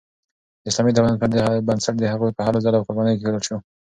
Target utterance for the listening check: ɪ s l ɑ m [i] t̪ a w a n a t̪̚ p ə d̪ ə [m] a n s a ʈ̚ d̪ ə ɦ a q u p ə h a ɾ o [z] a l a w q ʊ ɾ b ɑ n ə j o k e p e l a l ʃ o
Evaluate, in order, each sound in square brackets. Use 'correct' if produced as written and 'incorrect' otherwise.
correct, incorrect, correct

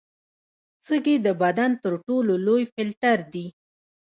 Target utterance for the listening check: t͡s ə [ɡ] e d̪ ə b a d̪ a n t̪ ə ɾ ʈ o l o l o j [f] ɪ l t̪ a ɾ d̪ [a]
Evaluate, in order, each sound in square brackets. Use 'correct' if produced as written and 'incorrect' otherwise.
correct, correct, incorrect

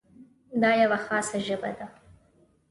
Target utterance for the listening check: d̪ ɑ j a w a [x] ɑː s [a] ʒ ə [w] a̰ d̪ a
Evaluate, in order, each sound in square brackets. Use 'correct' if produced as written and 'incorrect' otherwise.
correct, correct, incorrect

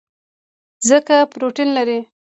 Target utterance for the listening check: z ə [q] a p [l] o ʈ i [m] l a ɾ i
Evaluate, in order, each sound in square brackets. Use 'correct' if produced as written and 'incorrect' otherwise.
incorrect, incorrect, incorrect

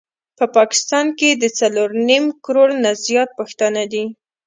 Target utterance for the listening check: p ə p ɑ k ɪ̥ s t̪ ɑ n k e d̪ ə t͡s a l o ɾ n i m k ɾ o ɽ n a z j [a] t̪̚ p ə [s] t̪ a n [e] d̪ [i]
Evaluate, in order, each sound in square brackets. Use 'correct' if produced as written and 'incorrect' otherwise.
incorrect, incorrect, incorrect, correct

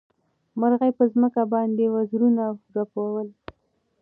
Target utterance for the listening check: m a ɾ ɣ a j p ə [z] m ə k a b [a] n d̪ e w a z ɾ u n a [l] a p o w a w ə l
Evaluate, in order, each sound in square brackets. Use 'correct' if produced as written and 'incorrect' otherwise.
correct, incorrect, incorrect

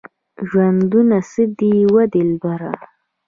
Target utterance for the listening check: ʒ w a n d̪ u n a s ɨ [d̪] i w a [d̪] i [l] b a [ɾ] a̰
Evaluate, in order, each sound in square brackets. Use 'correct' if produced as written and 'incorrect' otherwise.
correct, correct, correct, correct

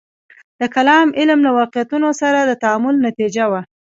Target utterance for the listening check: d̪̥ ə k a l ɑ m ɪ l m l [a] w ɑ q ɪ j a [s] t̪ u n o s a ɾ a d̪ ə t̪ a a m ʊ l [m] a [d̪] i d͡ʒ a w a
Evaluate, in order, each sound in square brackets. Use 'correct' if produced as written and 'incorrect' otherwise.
correct, incorrect, incorrect, incorrect

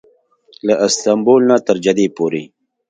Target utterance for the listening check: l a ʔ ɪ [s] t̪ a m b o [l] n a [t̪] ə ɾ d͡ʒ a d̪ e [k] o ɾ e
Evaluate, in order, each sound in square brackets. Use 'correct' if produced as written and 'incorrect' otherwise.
correct, correct, correct, incorrect

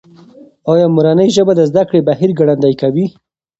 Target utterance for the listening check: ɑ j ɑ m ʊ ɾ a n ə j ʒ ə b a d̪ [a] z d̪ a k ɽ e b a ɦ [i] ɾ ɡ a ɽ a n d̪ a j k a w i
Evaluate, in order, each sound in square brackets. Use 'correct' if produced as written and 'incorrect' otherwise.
incorrect, correct

